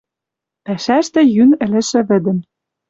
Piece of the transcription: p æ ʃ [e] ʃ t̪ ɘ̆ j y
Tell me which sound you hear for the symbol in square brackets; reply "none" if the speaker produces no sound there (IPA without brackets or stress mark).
æ